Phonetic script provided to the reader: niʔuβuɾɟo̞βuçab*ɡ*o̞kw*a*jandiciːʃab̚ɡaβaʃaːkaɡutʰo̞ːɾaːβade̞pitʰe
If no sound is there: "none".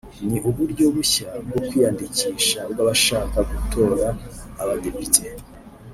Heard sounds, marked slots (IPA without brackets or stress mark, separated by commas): ɡ, i